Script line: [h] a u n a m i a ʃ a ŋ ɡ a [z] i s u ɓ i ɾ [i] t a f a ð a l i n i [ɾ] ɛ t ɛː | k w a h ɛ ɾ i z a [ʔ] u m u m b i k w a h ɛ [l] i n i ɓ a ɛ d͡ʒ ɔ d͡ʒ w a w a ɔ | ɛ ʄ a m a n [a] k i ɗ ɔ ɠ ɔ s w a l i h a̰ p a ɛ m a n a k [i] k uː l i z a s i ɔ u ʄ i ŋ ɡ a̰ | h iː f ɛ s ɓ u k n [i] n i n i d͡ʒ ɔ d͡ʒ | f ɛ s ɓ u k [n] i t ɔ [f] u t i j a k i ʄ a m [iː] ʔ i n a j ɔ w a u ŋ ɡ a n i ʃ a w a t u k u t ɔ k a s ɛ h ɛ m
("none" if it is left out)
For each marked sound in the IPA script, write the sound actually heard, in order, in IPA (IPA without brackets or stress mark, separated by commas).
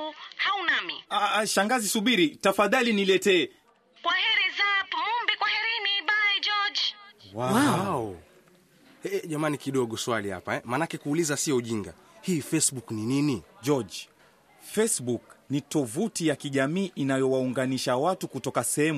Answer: h, z, i, l, t, ɾ, i, ɛ, i, n, v, iː